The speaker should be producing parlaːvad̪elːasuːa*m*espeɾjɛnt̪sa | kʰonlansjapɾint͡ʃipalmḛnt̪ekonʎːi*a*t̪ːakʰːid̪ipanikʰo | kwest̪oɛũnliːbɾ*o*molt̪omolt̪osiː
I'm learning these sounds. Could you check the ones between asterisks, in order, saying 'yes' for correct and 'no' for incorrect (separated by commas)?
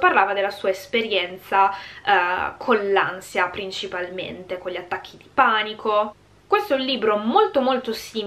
no, yes, yes